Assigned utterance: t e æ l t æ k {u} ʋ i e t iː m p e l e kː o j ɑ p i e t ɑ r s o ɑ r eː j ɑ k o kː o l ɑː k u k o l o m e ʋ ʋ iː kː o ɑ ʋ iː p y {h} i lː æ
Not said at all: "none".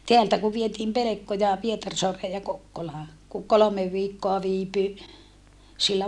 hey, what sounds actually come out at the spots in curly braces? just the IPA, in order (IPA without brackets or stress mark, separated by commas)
u, s